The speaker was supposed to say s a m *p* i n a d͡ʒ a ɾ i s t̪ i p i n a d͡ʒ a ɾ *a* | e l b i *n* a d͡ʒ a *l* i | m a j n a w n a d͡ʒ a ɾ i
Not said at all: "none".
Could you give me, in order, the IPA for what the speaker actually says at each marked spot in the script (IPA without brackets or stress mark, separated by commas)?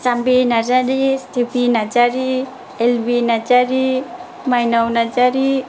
b, i, n, ɾ